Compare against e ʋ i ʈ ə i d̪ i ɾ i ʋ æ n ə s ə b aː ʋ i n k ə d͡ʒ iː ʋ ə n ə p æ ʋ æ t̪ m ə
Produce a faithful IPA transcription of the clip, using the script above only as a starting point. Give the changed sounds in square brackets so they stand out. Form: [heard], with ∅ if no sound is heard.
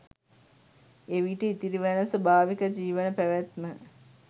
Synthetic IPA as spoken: e ʋ i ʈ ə i [t̪] i ɾ i ʋ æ n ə s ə b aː ʋ i [∅] k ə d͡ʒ iː ʋ ə n ə p æ ʋ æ t̪ m ə